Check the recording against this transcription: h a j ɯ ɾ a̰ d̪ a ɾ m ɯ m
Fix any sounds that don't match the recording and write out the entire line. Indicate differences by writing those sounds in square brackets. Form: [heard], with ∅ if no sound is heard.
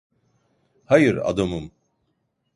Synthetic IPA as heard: h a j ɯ ɾ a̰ d̪ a [∅] m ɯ m